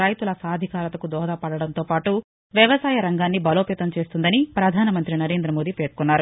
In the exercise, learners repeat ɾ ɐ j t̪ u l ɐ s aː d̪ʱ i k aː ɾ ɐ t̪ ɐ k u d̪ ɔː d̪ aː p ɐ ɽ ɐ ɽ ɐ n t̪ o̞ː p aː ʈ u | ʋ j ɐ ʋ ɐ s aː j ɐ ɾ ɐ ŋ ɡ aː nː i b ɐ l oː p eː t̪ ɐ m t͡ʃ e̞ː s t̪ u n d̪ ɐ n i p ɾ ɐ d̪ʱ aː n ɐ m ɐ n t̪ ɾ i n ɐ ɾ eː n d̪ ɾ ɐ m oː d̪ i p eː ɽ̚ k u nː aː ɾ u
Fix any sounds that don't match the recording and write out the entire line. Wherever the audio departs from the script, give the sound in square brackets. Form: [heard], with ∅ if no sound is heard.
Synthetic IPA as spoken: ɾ ɐ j t̪ u l ɐ s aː d̪ʱ i k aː ɾ ɐ t̪ ɐ k u d̪ ɔː d̪ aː p ɐ ɽ ɐ ɽ ɐ n t̪ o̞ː p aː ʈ u | ʋ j ɐ ʋ ɐ s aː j ɐ ɾ ɐ ŋ ɡ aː nː i b ɐ l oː p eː t̪ ɐ m t͡ʃ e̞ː s t̪ u n d̪ ɐ n i p ɾ ɐ d̪ʱ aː n ɐ m ɐ n t̪ ɾ i n ɐ ɾ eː n d̪ ɾ ɐ m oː d̪ i p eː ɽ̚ k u nː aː ɾ u